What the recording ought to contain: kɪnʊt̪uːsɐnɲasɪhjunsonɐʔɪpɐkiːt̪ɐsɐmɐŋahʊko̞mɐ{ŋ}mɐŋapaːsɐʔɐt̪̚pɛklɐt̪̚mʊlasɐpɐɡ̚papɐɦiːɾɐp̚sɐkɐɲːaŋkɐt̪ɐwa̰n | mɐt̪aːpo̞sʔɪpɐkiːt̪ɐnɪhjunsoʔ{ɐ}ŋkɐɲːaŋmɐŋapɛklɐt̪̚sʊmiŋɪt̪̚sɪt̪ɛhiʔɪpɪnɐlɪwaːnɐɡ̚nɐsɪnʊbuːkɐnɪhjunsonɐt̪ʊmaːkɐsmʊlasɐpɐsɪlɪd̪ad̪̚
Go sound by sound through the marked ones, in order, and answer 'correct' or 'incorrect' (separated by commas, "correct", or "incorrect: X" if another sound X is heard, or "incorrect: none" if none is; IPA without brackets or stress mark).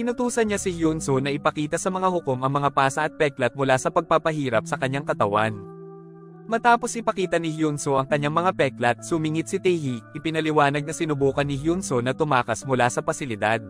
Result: correct, correct